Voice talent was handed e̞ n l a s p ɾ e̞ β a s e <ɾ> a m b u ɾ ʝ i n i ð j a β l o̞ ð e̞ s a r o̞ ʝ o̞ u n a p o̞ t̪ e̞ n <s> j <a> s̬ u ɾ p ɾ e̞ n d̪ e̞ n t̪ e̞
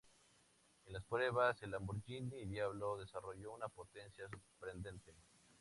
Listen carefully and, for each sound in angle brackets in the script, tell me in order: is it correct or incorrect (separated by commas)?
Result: incorrect, correct, correct